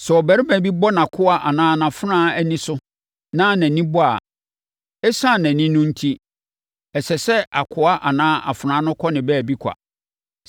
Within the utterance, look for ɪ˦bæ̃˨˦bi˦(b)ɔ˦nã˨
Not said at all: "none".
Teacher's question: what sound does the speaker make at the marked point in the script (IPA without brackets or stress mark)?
b